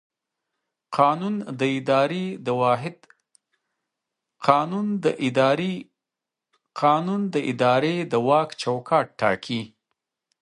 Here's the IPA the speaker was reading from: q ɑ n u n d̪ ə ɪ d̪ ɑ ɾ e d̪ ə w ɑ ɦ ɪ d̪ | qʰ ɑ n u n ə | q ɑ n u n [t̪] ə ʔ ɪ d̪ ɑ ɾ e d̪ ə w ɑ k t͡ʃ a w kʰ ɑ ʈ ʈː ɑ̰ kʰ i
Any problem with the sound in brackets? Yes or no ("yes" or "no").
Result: yes